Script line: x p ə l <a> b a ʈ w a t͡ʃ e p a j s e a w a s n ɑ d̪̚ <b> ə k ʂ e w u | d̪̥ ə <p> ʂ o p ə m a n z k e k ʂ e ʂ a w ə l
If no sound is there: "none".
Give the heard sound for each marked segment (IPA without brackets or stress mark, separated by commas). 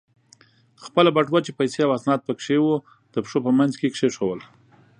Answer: a, p, p